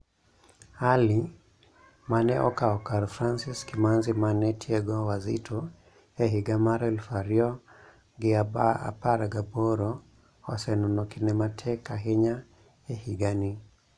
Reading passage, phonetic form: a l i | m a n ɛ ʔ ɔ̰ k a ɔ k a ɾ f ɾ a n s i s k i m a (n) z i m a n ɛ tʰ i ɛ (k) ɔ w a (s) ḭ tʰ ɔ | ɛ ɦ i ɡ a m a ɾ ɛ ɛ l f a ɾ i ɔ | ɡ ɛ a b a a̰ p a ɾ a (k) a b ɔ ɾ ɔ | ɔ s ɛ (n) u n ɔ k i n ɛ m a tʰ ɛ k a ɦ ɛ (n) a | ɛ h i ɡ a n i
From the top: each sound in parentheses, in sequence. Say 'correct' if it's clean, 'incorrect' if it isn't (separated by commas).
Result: correct, incorrect, incorrect, incorrect, correct, incorrect